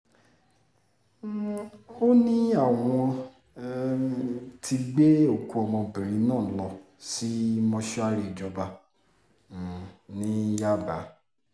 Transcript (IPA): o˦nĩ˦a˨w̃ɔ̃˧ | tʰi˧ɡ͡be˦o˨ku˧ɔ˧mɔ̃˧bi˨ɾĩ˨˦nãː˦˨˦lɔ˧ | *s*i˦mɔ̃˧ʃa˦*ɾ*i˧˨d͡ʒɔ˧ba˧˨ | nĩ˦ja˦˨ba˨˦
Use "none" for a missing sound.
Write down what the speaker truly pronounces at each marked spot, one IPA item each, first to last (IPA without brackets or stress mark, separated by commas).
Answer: s, ɾ